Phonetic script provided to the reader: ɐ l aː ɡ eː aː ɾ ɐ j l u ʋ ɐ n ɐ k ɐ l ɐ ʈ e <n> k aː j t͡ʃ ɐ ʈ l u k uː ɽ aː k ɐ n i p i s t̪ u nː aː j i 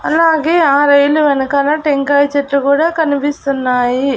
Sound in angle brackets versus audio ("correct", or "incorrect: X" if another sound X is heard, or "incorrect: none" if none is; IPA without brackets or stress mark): incorrect: ŋ